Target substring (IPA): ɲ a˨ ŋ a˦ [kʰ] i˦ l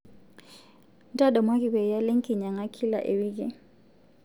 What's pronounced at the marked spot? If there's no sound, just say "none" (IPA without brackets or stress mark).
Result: kʰ